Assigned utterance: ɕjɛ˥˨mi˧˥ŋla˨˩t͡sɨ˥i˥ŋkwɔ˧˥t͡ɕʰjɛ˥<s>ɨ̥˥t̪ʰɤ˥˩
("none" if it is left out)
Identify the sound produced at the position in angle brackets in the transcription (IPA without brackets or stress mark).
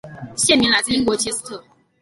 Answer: s